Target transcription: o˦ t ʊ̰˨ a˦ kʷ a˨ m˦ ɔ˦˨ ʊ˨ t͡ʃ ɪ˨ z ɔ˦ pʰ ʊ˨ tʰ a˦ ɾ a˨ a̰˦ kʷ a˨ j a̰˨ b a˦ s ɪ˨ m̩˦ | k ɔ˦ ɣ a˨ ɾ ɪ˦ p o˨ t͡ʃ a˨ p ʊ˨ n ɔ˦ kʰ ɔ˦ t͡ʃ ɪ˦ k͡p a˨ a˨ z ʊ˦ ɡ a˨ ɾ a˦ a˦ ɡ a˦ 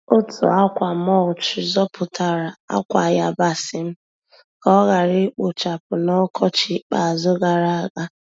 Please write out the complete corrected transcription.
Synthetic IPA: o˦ t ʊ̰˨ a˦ kʷ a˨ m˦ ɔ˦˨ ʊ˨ t͡ʃ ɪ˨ z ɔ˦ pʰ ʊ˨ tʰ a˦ ɾ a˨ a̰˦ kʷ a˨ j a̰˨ b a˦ s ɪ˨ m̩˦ | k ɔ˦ ɣ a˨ ɾ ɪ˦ k͡p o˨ t͡ʃ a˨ p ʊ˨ n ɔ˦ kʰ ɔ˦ t͡ʃ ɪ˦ k͡p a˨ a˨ z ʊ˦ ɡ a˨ ɾ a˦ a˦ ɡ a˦

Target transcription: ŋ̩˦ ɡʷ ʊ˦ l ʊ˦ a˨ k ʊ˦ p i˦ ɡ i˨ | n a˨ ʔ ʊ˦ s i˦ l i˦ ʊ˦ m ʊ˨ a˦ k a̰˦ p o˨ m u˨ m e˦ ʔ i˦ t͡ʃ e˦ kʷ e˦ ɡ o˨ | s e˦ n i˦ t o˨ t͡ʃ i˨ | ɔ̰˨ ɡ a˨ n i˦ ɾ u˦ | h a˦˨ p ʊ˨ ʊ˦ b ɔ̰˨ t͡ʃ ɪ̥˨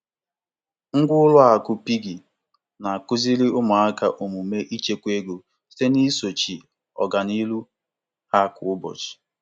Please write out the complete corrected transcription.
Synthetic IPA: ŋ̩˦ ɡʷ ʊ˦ l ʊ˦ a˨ k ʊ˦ p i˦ ɡ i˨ | n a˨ k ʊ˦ z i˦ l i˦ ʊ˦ m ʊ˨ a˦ k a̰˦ ʔ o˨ m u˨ m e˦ ʔ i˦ t͡ʃ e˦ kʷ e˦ ɡ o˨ | s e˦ n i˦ s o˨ t͡ʃ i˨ | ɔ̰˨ ɡ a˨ n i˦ l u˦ | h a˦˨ k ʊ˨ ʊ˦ b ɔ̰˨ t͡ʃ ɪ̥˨

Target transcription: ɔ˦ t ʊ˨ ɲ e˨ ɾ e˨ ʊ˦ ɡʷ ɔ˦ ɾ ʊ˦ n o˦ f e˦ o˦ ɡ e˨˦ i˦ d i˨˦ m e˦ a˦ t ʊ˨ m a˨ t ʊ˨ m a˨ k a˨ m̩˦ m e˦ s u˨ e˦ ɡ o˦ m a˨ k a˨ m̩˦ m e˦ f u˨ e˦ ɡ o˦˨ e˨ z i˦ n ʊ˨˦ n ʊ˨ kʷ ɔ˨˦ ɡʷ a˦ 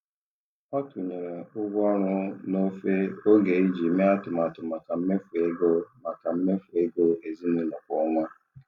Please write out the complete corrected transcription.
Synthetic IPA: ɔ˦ t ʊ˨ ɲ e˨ ɾ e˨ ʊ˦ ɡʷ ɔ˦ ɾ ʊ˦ n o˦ f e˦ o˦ ɡ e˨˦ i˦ d͡ʒ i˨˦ m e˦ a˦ t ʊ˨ m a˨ t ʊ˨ m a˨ k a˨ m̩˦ m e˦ f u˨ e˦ ɡ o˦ m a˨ k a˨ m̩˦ m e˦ f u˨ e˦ ɡ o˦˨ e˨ z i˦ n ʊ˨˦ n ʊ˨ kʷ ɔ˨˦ ŋʷ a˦

